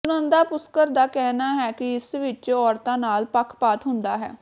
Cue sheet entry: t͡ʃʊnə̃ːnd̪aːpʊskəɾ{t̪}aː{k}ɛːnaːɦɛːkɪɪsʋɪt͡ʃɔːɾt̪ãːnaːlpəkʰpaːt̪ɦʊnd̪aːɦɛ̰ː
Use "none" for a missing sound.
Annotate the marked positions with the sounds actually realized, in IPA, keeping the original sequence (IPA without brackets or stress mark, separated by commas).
d̪, k